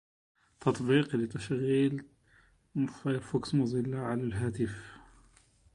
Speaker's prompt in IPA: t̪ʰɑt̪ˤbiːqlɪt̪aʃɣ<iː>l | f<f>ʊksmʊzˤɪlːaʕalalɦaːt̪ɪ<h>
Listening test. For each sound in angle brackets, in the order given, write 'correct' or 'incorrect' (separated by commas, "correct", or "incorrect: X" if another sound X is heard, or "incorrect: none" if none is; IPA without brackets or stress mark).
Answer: correct, correct, incorrect: f